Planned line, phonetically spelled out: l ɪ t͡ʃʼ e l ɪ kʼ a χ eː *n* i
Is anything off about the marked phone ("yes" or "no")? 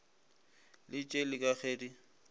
yes